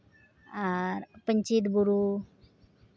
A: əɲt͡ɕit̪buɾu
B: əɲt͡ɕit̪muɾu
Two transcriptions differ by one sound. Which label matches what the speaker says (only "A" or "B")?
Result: A